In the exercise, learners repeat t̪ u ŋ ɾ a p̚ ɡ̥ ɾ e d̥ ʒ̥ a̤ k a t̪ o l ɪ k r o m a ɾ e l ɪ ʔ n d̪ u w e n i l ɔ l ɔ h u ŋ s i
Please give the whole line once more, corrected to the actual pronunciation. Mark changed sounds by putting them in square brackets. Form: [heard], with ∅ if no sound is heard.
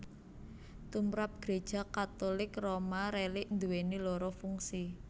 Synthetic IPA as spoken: t̪ u [m] ɾ a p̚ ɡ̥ ɾ e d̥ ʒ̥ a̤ k a t̪ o l ɪ k r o m a ɾ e l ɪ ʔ n d̪ u w e n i l ɔ [ɾ] ɔ [f] u ŋ s i